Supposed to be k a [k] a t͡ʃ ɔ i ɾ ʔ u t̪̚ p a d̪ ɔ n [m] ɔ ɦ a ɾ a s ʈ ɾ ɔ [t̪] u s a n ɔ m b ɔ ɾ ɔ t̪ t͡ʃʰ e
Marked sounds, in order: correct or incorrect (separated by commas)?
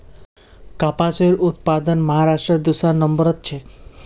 incorrect, correct, incorrect